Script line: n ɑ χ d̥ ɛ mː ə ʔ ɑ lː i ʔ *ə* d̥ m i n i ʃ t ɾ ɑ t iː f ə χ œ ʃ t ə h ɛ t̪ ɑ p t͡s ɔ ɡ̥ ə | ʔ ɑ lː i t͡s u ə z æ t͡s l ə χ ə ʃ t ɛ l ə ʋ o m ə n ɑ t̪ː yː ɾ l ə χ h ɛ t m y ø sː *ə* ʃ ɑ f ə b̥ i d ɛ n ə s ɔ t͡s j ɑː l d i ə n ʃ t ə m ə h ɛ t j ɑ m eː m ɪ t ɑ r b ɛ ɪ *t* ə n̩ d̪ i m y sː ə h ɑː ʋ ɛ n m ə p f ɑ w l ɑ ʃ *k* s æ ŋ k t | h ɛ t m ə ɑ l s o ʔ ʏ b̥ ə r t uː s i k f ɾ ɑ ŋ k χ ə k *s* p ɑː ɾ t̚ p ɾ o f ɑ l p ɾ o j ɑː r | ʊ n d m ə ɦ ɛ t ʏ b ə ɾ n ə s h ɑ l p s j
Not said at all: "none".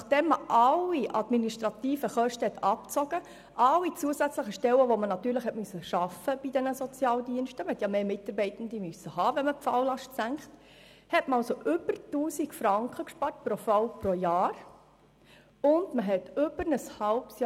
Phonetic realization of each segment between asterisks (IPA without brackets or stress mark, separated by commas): ɑ, ə, t, t, ʃ